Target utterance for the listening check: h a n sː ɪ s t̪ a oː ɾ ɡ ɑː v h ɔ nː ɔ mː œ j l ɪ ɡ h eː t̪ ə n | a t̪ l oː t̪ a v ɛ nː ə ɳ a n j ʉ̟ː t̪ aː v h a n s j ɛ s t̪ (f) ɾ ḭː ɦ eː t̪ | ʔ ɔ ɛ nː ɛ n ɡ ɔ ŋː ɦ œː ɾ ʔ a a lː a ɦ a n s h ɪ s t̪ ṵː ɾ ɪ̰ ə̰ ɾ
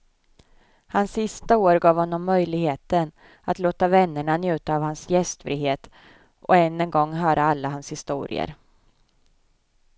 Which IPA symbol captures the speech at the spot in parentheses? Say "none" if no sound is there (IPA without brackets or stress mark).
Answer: f